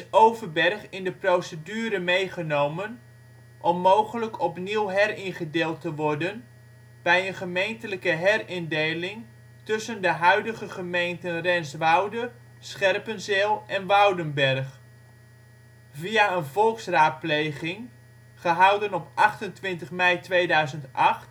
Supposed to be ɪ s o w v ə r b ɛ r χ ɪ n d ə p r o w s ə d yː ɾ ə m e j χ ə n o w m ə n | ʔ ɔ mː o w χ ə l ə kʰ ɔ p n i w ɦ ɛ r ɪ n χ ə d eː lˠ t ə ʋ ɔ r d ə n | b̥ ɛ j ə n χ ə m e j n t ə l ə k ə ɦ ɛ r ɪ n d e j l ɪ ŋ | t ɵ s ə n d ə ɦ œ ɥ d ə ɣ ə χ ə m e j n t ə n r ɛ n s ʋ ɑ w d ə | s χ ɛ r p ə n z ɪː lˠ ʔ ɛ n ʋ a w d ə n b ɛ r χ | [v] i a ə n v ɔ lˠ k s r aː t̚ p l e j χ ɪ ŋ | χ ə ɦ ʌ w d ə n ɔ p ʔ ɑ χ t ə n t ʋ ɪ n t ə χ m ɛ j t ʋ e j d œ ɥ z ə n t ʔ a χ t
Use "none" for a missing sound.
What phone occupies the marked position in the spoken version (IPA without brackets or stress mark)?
v